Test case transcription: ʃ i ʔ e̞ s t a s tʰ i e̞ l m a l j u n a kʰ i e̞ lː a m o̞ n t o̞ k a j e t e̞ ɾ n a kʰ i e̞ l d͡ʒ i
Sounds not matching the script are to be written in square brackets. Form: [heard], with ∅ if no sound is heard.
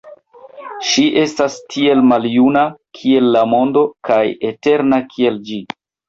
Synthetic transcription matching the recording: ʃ i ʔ e̞ s t a s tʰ i e̞ l m a l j u n a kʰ i e̞ lː a m o̞ n [d] o̞ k a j e t e̞ ɾ n a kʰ i e̞ l d͡ʒ i